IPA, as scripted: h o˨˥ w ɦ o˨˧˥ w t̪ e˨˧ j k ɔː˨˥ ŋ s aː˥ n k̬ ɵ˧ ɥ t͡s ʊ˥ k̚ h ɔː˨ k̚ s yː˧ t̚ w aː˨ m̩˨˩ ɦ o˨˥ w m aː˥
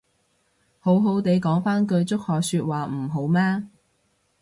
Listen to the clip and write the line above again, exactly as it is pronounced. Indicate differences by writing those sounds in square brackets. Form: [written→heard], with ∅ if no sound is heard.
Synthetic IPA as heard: h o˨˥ w ɦ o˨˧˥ w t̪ e˨˧ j k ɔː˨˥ ŋ [s→f] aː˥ n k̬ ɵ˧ ɥ t͡s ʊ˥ k̚ h ɔː˨ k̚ s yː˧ t̚ w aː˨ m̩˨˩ ɦ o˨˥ w m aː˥